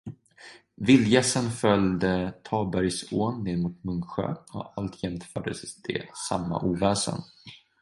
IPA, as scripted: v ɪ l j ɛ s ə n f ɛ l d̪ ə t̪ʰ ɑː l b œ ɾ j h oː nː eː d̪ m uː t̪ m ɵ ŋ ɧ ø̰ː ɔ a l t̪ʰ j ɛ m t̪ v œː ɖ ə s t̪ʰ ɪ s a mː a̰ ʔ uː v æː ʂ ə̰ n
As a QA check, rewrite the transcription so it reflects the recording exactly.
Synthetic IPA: v ɪ l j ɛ s ə n f œ l d̪ ə t̪ʰ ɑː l b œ ɾ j s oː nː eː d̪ m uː t̪ m ɵ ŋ ɧ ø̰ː ɔ a l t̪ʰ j ɛ m t̪ f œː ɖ ə s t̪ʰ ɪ s a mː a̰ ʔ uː v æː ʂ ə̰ n